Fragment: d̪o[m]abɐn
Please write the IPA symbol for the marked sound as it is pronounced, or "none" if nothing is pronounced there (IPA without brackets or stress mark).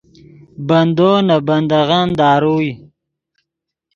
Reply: n